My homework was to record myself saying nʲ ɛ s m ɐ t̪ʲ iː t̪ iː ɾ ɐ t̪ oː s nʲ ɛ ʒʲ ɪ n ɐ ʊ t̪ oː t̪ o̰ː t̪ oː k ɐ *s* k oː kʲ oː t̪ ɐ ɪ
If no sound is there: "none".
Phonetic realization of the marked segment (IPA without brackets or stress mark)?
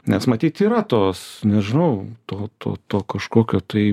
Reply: ʃ